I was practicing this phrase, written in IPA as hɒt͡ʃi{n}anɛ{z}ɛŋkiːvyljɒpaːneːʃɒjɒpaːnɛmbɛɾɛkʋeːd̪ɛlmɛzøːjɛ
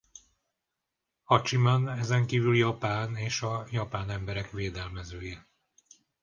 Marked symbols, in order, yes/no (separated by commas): no, yes